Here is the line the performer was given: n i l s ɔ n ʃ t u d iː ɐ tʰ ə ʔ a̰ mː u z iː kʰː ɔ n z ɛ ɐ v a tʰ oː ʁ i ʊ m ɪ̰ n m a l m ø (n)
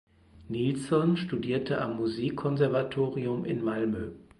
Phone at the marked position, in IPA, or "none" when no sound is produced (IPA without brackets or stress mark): none